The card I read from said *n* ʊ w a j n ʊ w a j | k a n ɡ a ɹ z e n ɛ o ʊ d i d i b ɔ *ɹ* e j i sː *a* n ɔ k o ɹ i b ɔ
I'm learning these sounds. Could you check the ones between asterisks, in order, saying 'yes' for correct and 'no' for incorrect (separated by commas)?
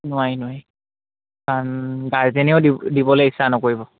yes, no, yes